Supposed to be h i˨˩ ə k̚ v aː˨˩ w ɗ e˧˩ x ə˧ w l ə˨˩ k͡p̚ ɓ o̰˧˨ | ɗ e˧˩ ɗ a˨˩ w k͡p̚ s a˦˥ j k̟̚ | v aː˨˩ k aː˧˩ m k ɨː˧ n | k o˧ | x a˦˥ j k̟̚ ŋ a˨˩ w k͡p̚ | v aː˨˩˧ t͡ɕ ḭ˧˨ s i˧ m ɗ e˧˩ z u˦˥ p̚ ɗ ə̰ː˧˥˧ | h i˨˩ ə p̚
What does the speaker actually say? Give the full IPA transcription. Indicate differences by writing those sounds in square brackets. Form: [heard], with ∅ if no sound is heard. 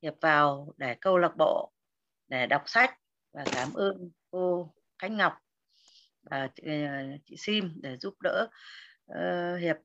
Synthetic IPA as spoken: h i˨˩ ə [p̚] v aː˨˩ w ɗ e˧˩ [k] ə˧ w l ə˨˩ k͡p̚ ɓ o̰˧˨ | ɗ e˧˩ ɗ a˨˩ w k͡p̚ s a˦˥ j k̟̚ | v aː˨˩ k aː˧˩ m [ʔ] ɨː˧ n | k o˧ | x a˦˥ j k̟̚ ŋ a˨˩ w k͡p̚ | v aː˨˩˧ t͡ɕ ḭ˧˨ s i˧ m ɗ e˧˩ z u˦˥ p̚ ɗ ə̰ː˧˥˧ | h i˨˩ ə p̚